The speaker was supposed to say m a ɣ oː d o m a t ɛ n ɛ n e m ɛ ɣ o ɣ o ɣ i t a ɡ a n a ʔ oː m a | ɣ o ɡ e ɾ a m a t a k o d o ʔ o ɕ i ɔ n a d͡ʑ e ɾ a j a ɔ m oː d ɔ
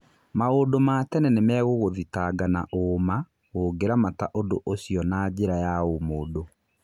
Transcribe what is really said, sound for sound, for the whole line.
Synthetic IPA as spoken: m a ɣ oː d o m a t ɛ n ɛ n e m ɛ ɣ o ɣ o ð i t a ɡ a n a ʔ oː m a | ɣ o ɡ e ɾ a m a t a ʔ o d o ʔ o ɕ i ɔ n a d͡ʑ e ɾ a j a o m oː d o